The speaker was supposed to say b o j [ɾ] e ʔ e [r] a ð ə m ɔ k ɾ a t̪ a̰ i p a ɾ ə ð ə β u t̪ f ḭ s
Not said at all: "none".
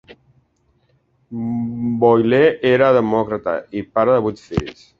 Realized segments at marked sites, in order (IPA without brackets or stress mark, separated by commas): l, ɾ